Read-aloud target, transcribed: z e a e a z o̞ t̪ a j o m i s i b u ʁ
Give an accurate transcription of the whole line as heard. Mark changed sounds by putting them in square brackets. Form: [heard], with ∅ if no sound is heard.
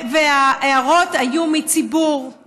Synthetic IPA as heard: [v] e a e a [ʁ] o̞ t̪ a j [u] m i [t͡s] i b u ʁ

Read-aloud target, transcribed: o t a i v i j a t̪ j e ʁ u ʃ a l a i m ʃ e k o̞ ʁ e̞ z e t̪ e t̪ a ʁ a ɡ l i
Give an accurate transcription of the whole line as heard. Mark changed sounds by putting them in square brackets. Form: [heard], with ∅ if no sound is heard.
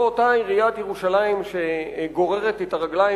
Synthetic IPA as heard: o t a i [ʁ] i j a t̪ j e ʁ u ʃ a l a i m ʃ e [ɡ] o̞ ʁ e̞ [ʁ] e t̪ e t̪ a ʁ a ɡ l [a]

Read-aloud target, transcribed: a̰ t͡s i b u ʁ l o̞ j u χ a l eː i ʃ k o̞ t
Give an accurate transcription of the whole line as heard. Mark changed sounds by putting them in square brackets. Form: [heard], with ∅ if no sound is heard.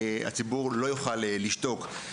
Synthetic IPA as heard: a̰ t͡s i b u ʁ l o̞ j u χ a l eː i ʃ [t] o̞ [k]

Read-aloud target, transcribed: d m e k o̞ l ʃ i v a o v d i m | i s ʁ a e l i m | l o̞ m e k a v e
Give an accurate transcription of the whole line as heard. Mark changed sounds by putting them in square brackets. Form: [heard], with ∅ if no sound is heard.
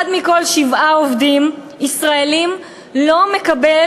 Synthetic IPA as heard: d m [i] k o̞ l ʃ i v a o v d i m | i s ʁ a e l i m | l o̞ m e k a [b] e

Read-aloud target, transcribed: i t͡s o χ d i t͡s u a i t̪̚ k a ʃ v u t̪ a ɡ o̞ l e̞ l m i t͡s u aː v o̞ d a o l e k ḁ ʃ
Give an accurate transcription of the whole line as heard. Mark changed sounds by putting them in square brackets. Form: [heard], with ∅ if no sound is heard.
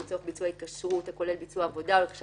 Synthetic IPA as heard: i t͡s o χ [b] i t͡s u a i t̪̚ k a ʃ [ʁ] u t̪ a [k] o̞ l e̞ l [b] i t͡s u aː v o̞ d a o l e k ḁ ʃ

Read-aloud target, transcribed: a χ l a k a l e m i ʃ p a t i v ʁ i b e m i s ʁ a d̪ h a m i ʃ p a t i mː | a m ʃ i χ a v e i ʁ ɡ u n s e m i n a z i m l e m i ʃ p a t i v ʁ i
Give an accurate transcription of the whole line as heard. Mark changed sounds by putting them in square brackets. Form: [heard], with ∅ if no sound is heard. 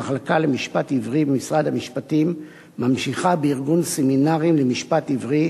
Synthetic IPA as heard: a χ l a k a l e m i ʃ p a t i v ʁ i b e m i s ʁ a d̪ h a m i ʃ p a t i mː | a m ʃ i χ a [b] e i ʁ ɡ u n s e m i n a [ʁ] i m l e m i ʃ p a t i v ʁ i

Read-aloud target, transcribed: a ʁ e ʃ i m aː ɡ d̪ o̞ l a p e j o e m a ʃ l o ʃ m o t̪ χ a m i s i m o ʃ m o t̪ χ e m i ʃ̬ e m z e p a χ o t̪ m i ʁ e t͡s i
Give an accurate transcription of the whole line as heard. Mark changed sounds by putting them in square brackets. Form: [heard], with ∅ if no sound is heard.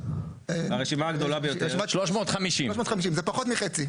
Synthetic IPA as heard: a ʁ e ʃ i m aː ɡ d̪ o̞ l a [b] e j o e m a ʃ l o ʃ m o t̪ χ a m i [ʃ] i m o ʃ m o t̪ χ [a] m i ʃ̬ [i] m z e p a χ o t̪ m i [χ] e t͡s i

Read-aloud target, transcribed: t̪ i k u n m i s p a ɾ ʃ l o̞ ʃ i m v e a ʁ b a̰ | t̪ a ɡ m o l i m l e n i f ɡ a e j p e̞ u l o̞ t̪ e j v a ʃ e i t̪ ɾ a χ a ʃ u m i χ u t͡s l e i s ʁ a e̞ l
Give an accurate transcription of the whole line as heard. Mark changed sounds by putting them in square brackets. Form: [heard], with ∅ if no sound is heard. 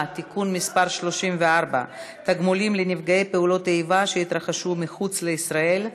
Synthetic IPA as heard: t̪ i k u n m i s p a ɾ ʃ l o̞ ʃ i m v e a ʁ b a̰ | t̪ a ɡ m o l i m l e n i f ɡ a e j p e̞ u l o̞ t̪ e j v a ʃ e i t̪ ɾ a χ a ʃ u m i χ u t͡s l e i s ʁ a e̞ l

